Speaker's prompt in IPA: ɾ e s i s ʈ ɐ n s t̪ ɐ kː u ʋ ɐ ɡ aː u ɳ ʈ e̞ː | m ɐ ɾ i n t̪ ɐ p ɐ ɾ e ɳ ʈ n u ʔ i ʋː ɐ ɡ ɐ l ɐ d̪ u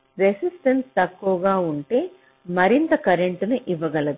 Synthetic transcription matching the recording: ɾ e s i s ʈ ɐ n s t̪ ɐ kː u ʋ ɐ ɡ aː u ɳ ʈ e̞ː | m ɐ ɾ i n t̪ ɐ k ɐ ɾ e ɳ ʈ n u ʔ i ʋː ɐ ɡ ɐ l ɐ d̪ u